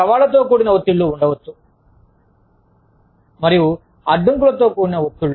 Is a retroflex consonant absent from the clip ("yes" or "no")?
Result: no